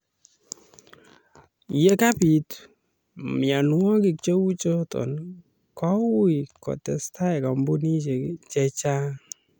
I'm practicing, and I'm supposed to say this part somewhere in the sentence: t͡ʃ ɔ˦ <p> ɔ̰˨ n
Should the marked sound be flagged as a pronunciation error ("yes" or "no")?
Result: yes